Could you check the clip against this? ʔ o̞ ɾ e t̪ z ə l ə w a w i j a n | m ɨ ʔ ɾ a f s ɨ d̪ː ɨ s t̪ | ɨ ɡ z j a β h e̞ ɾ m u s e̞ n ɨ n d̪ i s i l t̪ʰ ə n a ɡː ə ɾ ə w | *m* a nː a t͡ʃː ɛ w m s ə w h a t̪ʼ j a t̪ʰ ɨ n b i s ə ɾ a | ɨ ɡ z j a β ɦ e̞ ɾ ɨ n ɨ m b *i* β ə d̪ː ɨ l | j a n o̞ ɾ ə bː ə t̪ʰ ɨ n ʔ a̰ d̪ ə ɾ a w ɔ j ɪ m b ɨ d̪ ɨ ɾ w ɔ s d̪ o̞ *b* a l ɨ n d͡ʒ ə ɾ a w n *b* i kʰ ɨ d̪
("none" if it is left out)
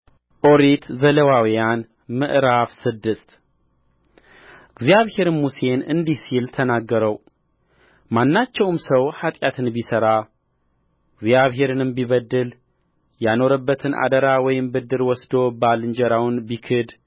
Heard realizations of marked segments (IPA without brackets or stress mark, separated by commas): m, i, b, b